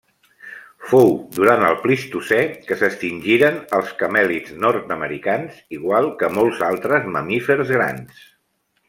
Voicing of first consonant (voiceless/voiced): voiceless